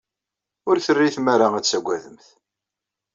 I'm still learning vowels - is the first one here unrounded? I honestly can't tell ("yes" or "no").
no